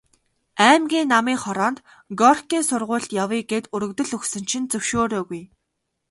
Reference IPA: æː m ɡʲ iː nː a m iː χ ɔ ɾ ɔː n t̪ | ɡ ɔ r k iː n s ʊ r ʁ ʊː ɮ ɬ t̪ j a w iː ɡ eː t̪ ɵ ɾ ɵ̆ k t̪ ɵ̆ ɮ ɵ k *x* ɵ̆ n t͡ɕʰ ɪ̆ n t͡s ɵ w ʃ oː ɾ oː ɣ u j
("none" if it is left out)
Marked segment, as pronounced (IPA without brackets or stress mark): s